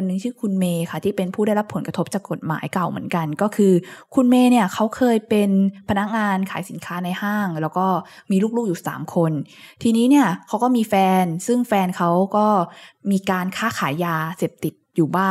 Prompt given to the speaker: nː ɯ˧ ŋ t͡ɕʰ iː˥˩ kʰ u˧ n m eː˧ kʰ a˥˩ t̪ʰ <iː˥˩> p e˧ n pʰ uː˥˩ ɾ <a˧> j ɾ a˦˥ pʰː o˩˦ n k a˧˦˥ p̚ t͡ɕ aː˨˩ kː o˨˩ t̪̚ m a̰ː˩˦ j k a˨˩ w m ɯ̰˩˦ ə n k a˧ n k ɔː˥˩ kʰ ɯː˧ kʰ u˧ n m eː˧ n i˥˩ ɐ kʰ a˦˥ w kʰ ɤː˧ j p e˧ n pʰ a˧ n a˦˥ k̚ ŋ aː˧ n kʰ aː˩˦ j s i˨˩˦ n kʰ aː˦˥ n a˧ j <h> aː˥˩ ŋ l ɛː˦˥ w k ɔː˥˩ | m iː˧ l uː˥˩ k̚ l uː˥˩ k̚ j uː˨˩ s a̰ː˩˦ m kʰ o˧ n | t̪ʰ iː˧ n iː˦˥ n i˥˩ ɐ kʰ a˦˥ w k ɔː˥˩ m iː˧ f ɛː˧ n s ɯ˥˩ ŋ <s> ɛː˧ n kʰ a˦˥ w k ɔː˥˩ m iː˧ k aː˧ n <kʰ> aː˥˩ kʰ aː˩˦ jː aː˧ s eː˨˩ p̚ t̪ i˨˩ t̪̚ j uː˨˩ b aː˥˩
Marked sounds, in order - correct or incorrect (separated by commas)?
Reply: correct, incorrect, correct, incorrect, correct